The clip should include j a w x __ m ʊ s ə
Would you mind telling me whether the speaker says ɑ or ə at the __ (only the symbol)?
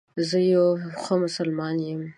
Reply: ə